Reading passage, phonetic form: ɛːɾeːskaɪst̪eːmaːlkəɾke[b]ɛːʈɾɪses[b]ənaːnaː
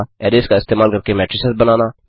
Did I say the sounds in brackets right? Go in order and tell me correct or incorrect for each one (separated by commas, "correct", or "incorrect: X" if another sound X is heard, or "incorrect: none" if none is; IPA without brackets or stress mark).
incorrect: m, correct